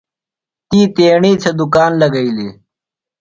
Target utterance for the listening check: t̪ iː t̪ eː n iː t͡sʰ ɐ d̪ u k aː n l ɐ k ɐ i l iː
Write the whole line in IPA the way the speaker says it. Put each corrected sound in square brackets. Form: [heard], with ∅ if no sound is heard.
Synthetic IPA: t̪ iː t̪ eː [ɳ] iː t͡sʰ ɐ d̪ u k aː n l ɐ [ɡ] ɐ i l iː

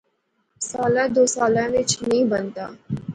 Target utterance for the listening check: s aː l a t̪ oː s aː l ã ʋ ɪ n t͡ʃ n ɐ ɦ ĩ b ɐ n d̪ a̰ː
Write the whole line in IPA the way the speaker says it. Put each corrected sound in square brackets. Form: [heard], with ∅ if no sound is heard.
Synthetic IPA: s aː l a [d̪] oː s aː l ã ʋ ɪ [∅] t͡ʃ n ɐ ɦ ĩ b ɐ n [t̪] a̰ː

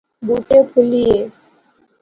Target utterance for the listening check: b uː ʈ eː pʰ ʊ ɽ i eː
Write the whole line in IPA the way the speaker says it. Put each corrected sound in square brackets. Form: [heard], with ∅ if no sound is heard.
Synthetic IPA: b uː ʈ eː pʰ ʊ [l] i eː

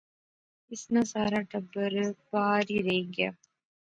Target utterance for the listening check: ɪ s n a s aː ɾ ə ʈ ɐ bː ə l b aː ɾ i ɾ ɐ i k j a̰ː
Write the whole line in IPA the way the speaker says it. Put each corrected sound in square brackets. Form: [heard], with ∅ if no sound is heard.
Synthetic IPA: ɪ s n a s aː ɾ [a] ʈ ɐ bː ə [ɾ] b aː ɾ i ɾ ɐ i [ɡ] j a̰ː

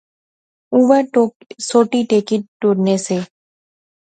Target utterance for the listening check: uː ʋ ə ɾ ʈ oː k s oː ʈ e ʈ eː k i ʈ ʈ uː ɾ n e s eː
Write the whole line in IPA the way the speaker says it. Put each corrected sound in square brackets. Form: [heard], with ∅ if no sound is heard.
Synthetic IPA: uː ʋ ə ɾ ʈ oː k s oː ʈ [i] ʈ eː k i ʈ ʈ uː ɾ n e s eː

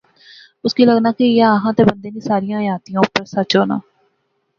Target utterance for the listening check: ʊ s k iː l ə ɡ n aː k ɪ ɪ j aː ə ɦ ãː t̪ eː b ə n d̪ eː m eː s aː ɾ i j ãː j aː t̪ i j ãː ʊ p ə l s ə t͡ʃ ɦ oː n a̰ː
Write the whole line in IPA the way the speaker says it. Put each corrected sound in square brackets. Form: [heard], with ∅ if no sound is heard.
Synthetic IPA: ʊ s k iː l ə ɡ n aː k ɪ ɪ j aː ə ɦ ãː t̪ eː b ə n d̪ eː [n] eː s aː ɾ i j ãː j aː t̪ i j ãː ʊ p ə [ɾ] s ə t͡ʃ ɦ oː n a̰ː

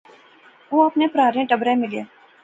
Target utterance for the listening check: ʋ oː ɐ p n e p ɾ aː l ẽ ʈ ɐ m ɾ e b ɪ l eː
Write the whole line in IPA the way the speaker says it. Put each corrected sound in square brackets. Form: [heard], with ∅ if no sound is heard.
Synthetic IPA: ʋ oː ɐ p n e p ɾ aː [ɾ] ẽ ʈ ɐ [b] ɾ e [m] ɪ l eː

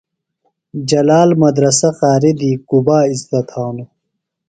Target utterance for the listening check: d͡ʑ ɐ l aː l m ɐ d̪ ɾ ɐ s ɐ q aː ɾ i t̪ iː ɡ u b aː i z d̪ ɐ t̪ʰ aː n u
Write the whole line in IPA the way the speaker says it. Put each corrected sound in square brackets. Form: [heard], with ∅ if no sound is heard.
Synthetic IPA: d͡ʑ ɐ l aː l m ɐ d̪ ɾ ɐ s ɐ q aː ɾ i [d̪] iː [k] u b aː i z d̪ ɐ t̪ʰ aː n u

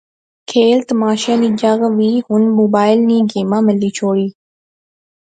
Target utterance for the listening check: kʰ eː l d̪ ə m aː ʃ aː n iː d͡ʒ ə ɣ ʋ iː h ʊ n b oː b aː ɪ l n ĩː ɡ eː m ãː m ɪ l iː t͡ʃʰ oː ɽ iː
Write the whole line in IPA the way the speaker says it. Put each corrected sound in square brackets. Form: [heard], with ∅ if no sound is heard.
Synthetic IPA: kʰ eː l [t̪] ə m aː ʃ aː n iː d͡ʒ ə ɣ ʋ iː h ʊ n [m] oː b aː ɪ l n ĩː ɡ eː m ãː m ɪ l iː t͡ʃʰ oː ɽ iː

